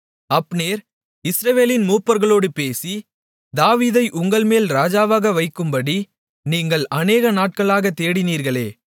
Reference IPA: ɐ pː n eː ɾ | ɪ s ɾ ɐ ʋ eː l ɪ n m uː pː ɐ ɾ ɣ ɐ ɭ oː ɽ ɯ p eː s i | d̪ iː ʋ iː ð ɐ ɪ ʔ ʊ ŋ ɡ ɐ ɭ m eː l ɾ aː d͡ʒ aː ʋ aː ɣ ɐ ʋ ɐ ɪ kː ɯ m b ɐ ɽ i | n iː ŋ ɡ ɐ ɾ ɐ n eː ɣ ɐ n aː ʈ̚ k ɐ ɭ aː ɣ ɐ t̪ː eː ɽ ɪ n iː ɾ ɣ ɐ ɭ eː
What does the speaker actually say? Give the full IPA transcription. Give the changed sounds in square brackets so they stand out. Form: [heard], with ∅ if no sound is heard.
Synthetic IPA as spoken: ɐ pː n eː ɾ | ɪ s ɾ ɐ ʋ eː l ɪ n m uː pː ɐ ɾ ɣ ɐ ɭ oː ɽ ɯ p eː s i | d̪ [aː] ʋ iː ð ɐ ɪ ʔ ʊ ŋ ɡ ɐ ɭ m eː l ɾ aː d͡ʒ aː ʋ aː ɣ ɐ ʋ ɐ ɪ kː ɯ m b ɐ ɽ i | n iː ŋ ɡ ɐ [ɭ] ɐ n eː ɣ ɐ n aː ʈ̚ k ɐ ɭ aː ɣ ɐ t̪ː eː ɽ ɪ n iː ɾ ɣ ɐ ɭ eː